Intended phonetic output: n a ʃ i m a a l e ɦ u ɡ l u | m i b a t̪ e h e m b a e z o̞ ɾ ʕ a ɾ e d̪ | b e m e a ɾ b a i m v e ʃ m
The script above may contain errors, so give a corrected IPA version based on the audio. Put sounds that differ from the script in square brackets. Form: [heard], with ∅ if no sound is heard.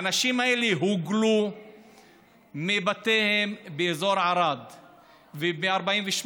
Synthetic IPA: n a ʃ i m a [e] l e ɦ u ɡ l u | m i b a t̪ e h e m b [e] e z o̞ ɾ ʕ a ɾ [a] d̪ | [v] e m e a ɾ b a i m v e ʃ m